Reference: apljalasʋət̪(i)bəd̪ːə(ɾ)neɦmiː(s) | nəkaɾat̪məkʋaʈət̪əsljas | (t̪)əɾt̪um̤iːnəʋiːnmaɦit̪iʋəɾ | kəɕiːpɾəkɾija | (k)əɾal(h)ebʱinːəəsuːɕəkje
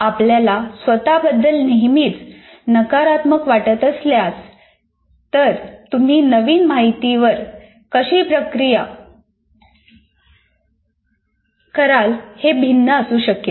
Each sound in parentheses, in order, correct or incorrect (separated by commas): incorrect, incorrect, incorrect, correct, correct, correct